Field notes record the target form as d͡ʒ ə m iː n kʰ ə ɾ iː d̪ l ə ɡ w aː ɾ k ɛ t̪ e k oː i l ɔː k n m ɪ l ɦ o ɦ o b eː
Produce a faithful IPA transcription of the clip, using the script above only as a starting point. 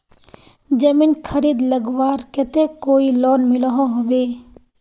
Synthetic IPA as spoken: d͡ʒ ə m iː n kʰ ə ɾ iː d̪ l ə ɡ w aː ɾ k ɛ t̪ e k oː i l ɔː n m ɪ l ɦ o ɦ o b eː